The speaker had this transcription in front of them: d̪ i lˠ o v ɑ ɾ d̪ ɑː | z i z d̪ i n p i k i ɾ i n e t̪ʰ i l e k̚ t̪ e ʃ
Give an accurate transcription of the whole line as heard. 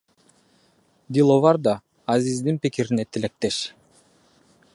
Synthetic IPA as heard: d̪ i lˠ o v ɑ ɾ d̪ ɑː | z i z d̪ i n p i k i ɾ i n e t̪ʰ i l e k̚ t̪ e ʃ